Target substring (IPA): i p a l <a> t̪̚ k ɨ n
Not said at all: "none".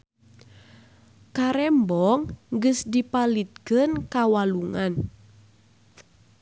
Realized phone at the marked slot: i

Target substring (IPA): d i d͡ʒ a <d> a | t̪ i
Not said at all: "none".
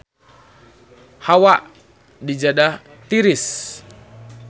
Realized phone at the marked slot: d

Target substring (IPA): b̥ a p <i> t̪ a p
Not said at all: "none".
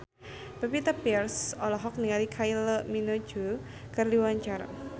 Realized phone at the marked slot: i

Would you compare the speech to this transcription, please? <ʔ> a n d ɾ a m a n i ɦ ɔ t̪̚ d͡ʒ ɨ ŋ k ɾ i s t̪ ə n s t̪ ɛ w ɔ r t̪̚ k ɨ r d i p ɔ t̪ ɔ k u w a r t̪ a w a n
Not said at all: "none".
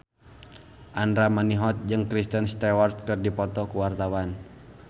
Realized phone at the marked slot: ʔ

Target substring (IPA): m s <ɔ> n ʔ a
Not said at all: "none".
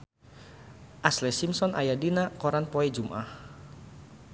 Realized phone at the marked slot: ɔ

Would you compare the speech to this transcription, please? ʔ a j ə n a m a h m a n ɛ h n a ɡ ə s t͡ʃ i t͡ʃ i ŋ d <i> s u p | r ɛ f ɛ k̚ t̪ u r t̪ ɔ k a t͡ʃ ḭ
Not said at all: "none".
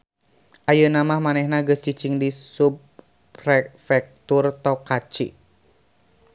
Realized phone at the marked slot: i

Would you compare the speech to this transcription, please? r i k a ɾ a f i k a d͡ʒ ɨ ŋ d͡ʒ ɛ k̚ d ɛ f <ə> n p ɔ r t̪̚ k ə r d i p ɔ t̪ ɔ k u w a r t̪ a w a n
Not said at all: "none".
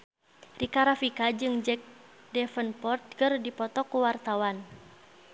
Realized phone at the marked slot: ə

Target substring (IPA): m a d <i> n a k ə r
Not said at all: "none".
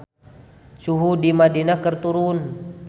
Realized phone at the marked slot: i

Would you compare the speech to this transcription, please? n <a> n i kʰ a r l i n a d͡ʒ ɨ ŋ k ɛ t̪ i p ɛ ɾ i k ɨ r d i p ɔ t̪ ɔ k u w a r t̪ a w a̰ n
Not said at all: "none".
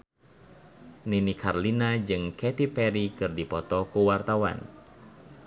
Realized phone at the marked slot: i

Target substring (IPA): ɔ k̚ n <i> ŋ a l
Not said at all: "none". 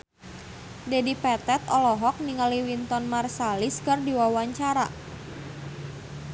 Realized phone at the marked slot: i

